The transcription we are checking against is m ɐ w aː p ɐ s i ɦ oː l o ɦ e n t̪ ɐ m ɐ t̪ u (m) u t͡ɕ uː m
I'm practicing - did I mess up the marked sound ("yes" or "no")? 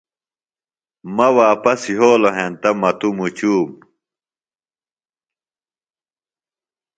no